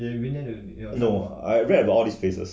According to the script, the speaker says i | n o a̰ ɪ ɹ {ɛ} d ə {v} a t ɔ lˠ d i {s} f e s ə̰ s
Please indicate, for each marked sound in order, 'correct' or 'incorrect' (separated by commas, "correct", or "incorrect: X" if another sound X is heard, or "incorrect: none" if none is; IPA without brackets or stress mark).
correct, incorrect: b, correct